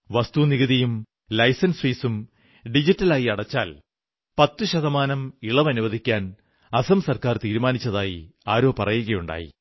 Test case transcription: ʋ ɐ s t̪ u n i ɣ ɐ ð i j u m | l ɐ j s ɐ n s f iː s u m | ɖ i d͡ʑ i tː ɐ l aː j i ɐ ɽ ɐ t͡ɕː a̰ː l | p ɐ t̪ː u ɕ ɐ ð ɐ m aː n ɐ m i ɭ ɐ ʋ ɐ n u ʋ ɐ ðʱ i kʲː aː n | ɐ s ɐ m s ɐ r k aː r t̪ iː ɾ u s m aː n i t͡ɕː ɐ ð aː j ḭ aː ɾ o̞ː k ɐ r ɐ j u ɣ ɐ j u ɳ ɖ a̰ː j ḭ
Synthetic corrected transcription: ʋ ɐ s t̪ u n i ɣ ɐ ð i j u m | l ɐ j s ɐ n s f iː s u m | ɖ i d͡ʑ i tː ɐ l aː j i ɐ ɽ ɐ t͡ɕː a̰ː l | p ɐ t̪ː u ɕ ɐ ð ɐ m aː n ɐ m i ɭ ɐ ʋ ɐ n u ʋ ɐ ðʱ i kʲː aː n | ɐ s ɐ m s ɐ r k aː r t̪ iː ɾ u m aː n i t͡ɕː ɐ ð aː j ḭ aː ɾ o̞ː p ɐ r ɐ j u ɣ ɐ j u ɳ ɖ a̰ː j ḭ

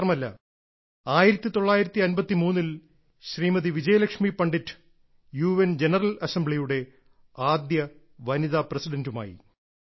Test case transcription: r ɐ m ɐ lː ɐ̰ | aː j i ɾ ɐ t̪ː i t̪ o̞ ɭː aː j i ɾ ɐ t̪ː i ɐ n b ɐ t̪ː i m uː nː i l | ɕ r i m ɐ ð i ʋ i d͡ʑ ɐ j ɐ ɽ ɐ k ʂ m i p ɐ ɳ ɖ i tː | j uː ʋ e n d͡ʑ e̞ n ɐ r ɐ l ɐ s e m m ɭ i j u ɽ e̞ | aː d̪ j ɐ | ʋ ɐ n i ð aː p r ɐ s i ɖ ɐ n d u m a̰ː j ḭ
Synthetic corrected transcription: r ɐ m ɐ lː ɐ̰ | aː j i ɾ ɐ t̪ː i t̪ o̞ ɭː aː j i ɾ ɐ t̪ː i ɐ n b ɐ t̪ː i m uː nː i l | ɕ r iː m ɐ ð i ʋ i d͡ʑ ɐ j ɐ l ɐ k ʂ m i p ɐ ɳ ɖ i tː | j uː ʋ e n d͡ʑ e̞ n ɐ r ɐ l ɐ s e m b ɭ i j u ɽ e̞ | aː d̪ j ɐ | ʋ ɐ n i ð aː p r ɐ s i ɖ ɐ n d u m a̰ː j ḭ

